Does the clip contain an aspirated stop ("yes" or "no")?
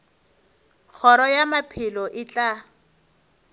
yes